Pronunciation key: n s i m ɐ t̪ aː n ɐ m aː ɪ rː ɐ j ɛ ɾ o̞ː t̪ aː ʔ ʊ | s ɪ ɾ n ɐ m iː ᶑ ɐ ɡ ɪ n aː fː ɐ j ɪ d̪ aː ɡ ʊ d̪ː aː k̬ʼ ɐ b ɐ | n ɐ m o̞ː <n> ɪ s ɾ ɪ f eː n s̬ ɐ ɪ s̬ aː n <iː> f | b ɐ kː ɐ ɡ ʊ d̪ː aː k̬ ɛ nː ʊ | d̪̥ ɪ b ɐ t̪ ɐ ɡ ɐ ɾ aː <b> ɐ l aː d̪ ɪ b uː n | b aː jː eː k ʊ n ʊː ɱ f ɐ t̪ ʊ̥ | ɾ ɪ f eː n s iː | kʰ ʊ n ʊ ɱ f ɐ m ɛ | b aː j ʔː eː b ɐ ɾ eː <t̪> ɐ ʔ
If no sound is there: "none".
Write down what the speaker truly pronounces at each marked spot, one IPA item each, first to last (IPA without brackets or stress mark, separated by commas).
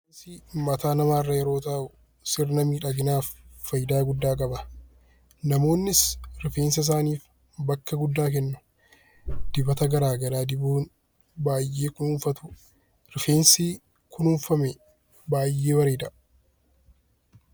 nː, iː, ɡ, d̪